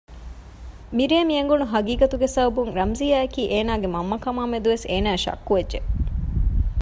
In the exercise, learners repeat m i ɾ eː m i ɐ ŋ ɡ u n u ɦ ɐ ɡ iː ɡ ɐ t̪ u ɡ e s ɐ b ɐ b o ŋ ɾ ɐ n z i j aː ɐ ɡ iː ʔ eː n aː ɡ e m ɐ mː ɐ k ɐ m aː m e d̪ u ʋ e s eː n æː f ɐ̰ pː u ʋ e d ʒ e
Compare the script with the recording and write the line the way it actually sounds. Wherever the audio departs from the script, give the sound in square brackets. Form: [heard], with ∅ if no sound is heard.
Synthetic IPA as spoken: m i ɾ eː m i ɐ ŋ ɡ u n u ɦ ɐ ɡ iː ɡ ɐ t̪ u ɡ e s ɐ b ɐ b [u] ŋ ɾ ɐ [m] z i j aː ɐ [k] iː ʔ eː n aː ɡ e m ɐ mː ɐ k ɐ m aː m e d̪ u ʋ e s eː n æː [ʃ] ɐ̰ [kː] u ʋ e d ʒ e